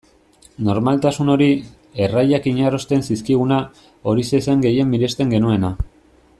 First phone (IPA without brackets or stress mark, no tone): n